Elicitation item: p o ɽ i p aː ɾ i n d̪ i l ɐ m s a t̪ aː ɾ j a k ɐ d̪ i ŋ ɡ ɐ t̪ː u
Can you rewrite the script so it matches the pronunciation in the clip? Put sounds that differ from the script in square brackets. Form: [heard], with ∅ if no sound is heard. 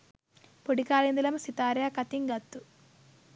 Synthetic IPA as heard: p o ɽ i [k] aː [l] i n d̪ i l ɐ m s [i] t̪ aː ɾ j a k ɐ [t̪] i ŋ ɡ ɐ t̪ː u